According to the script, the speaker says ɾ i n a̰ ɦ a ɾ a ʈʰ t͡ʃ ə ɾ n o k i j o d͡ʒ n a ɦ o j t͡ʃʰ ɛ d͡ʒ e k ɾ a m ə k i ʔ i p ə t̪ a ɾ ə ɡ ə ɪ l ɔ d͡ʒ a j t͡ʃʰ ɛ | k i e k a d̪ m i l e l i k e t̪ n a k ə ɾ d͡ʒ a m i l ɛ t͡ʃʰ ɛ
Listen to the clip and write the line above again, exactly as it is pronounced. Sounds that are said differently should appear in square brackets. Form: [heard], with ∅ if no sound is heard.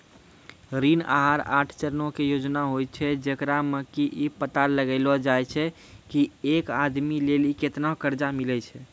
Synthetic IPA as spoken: ɾ i n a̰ ɦ a ɾ a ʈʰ t͡ʃ ə ɾ n o k [e] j o d͡ʒ n a ɦ o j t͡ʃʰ ɛ d͡ʒ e k ɾ a m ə k i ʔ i p ə t̪ a [l] ə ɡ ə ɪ l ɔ d͡ʒ a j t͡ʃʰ ɛ | k i e k a d̪ m i l e l i k e t̪ n a k ə ɾ d͡ʒ a m i l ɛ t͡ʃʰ ɛ